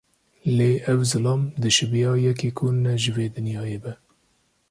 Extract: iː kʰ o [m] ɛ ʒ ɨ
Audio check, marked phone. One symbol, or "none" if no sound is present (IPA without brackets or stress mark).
n